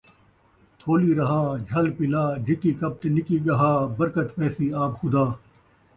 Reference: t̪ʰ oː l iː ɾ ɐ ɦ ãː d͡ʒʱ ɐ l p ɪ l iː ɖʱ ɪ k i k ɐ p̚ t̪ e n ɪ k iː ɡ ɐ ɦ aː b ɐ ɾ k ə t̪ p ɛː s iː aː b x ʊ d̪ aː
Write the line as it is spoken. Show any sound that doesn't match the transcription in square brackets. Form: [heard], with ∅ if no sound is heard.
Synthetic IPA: t̪ʰ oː l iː ɾ ɐ ɦ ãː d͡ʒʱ ɐ l p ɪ l [aː] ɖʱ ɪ k i k ɐ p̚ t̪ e n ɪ k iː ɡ ɐ ɦ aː b ɐ ɾ k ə t̪ p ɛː s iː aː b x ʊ d̪ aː